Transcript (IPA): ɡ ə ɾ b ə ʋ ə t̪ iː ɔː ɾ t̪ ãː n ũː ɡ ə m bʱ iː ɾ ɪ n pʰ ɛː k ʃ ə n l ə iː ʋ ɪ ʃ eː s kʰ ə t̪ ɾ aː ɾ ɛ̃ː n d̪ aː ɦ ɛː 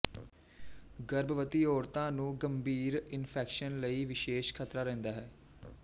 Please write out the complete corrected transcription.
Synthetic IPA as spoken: ɡ ə ɾ b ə ʋ ə t̪ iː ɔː ɾ t̪ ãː n ũː ɡ ə m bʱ iː ɾ ɪ n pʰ ɛː k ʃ ə n l ə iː ʋ ɪ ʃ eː ʃ kʰ ə t̪ ɾ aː ɾ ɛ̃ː n d̪ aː ɦ ɛː